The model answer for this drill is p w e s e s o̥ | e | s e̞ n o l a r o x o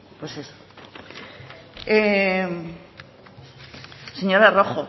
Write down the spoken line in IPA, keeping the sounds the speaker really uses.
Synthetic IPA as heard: p w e s e s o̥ | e | s e̞ ɲ o ɾ a r o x o

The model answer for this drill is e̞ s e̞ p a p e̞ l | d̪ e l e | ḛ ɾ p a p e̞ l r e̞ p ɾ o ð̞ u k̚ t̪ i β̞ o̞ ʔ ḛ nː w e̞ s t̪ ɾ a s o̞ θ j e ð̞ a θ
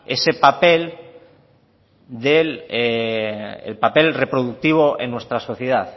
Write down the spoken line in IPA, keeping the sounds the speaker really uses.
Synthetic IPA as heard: e̞ s e̞ p a p e̞ l | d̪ e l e | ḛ l p a p e̞ l r e̞ p ɾ o ð̞ u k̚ t̪ i β̞ o̞ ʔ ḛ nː w e̞ s t̪ ɾ a s o̞ θ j e ð̞ a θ

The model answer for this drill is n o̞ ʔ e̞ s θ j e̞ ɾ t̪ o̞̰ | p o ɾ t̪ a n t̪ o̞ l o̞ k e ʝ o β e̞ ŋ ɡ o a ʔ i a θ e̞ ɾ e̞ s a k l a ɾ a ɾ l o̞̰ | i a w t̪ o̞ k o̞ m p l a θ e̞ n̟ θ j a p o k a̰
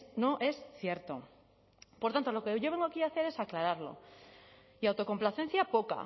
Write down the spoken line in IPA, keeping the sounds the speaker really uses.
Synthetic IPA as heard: n o̞ ʔ e̞ s θ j e̞ ɾ t̪ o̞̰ | p o ɾ t̪ a n t̪ o̞ l o̞ k e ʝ o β e̞ ŋ ɡ o a k i a θ e̞ ɾ e̞ s a k l a ɾ a ɾ l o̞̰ | i a w t̪ o̞ k o̞ m p l a θ e̞ n̟ θ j a p o k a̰

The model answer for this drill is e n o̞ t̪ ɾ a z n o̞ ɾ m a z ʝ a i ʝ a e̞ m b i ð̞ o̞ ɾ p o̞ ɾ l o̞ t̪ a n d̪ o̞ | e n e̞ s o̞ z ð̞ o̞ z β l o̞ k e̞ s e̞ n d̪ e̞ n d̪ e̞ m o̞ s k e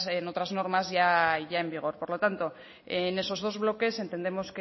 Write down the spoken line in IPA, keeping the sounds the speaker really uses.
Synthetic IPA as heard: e n o̞ t̪ ɾ a z n o̞ ɾ m a z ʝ a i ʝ a e̞ m b i ɣ̞ o̞ ɾ p o̞ ɾ l o̞ t̪ a n t̪ o̞ | e n e̞ s o̞ z ð̞ o̞ z β l o̞ k e̞ s e̞ n t̪ e̞ n d̪ e̞ m o̞ s k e

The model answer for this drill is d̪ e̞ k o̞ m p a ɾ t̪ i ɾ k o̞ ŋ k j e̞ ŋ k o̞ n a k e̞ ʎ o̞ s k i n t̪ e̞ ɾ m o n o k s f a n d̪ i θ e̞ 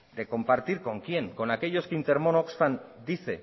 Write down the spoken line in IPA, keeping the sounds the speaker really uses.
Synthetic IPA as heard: d̪ e̞ k o̞ m p a ɾ t̪ i ɾ k o̞ ŋ k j e̞ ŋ k o̞ n a k e̞ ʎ o̞ s k i n t̪ e̞ ɾ m o n o k s f a n d̪ i θ e̞

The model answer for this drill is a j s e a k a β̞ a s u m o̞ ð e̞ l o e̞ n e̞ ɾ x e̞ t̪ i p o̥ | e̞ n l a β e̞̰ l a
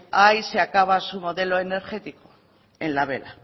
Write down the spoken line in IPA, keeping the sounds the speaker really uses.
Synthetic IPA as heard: a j s e a k a β̞ a s u m o̞ ð e̞ l o e̞ n e̞ ɾ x e̞ t̪ i k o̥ | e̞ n l a β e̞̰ l a

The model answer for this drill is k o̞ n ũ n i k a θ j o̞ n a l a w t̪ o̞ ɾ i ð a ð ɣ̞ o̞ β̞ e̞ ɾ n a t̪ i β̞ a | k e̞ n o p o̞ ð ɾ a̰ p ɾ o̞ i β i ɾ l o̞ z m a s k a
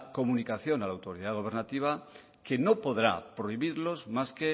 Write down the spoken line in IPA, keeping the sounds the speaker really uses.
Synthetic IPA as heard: k o̞ m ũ n i k a θ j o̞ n a l a w t̪ o̞ ɾ i ð a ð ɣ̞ o̞ β̞ e̞ ɾ n a t̪ i β̞ a | k e̞ n o p o̞ ð ɾ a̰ p ɾ o̞ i β i ɾ l o̞ z m a s k e

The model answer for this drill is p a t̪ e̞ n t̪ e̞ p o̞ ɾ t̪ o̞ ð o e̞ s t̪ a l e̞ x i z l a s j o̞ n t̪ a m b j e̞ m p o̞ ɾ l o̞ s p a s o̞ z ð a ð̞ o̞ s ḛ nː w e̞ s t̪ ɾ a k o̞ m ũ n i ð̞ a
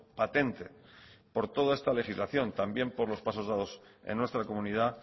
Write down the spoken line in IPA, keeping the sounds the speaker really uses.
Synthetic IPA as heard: p a t̪ e̞ n t̪ e̞ p o̞ ɾ t̪ o̞ ð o e̞ s t̪ a l e̞ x i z l a θ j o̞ n t̪ a m b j e̞ m p o̞ ɾ l o̞ s p a s o̞ z ð a ð̞ o̞ s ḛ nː w e̞ s t̪ ɾ a k o̞ m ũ n i ð̞ a

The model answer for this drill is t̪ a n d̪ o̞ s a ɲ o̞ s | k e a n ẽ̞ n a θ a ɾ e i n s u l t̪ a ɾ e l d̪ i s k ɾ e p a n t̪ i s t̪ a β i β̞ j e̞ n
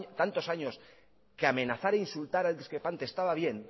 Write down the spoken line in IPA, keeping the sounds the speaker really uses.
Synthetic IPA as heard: t̪ a n t̪ o̞ s a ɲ o̞ s | k e a m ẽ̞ n a θ a ɾ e i n s u l t̪ a ɾ a l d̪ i s k ɾ e p a n t̪ e s t̪ a β a β̞ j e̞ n

